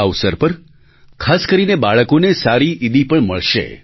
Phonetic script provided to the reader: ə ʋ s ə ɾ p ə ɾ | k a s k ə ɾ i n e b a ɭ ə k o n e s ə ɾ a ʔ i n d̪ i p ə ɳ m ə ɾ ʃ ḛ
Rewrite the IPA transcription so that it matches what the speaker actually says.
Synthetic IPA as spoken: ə ʋ s ə ɾ p ə ɾ | kʰ a s k ə ɾ i n e b a ɭ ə k o n e s a ɾ i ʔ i d̪ i p ə ɳ m ə ɭ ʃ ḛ